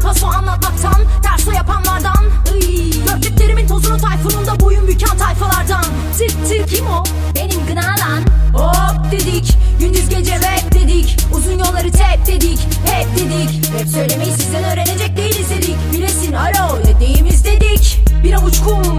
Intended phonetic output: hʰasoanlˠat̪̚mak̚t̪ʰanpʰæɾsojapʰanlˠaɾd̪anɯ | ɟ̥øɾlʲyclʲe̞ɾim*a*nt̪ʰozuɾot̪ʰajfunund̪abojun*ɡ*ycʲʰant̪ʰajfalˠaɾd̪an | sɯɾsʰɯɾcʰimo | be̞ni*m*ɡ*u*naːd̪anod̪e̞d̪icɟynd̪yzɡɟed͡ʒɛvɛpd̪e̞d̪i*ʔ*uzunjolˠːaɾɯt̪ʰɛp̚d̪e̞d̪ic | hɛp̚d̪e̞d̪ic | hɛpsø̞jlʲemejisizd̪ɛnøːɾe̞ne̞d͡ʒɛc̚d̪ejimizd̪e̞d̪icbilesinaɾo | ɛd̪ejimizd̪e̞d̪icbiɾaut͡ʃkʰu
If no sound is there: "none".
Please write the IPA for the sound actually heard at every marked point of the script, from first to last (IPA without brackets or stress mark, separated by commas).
i, b, m, ɯ, c